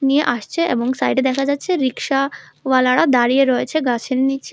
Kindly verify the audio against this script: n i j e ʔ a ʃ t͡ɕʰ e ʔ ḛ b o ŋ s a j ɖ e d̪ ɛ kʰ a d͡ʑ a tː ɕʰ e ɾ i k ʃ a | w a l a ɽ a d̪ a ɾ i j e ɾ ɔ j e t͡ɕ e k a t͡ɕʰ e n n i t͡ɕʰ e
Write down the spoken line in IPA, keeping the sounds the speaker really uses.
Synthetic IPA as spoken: n i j e ʔ a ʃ t͡ɕʰ e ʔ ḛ b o ŋ s a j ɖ e d̪ ɛ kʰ a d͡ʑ a tː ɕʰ e ɾ i k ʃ a | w a l a ɽ a d̪ a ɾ i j e ɾ ɔ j e t͡ɕʰ e ɡ a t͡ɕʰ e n n i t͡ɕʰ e